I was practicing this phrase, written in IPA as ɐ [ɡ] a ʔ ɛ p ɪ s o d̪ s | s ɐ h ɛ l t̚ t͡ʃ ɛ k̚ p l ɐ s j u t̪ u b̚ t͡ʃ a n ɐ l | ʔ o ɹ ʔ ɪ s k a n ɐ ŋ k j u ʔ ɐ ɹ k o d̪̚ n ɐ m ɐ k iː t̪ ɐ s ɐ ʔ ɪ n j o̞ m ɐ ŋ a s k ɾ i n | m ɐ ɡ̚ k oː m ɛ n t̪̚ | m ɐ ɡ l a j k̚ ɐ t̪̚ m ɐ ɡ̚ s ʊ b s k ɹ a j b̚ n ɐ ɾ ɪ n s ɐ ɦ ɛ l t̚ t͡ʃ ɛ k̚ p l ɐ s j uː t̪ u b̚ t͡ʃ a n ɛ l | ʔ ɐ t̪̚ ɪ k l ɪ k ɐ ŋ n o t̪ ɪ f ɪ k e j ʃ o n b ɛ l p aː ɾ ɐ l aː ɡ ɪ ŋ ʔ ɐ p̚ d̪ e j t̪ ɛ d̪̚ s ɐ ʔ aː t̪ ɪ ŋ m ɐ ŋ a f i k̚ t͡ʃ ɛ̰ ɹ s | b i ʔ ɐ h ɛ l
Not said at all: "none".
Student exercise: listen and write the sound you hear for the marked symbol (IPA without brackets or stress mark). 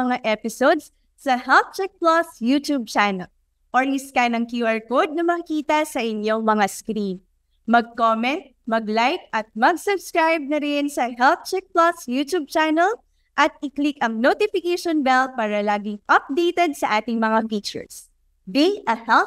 ŋ